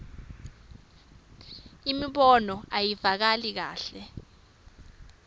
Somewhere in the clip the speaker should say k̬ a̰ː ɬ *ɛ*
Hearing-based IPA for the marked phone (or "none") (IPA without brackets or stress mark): ɛ